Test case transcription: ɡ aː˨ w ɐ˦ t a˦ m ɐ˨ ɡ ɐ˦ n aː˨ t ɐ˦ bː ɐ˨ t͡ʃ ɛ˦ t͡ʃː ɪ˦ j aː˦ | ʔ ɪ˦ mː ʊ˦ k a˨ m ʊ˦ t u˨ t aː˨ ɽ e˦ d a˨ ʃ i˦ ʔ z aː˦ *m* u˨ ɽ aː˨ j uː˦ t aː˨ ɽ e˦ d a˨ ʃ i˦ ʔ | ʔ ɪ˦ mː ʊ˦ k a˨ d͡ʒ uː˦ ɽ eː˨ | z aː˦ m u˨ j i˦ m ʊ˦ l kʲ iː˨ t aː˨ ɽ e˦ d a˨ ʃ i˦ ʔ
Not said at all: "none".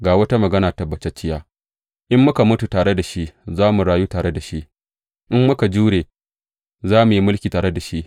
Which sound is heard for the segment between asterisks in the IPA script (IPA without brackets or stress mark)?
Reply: m